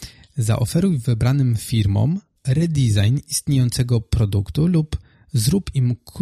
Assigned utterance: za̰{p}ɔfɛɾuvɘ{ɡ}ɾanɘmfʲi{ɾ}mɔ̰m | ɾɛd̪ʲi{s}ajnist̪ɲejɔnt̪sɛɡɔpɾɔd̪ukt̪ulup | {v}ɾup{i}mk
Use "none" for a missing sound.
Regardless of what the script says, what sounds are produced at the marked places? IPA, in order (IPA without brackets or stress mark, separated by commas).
ʔ, b, ɾ, z, z, i